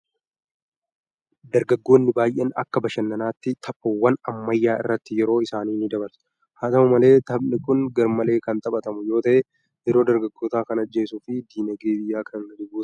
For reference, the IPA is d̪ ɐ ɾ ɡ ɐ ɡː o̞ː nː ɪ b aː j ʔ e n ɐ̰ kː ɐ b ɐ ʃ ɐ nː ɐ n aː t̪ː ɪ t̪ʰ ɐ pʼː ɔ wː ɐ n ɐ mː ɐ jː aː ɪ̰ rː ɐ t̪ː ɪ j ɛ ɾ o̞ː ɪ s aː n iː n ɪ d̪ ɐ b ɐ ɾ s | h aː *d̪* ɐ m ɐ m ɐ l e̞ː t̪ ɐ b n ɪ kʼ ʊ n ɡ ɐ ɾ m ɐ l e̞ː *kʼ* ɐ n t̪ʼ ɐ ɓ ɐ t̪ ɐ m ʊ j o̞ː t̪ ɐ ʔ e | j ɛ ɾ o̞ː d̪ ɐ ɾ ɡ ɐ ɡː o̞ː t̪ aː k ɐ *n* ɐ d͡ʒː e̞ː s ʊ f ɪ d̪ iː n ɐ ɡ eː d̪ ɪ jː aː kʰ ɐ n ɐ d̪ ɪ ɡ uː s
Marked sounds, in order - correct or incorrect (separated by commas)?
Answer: incorrect, incorrect, correct